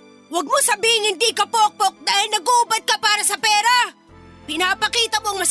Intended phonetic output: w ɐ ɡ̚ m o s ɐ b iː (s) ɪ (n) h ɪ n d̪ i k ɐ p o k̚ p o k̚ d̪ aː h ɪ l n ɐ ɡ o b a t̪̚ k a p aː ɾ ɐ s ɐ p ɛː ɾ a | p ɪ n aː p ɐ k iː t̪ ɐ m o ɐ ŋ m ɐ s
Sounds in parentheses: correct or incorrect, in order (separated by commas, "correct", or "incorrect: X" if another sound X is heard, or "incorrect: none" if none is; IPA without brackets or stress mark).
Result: incorrect: h, incorrect: ŋ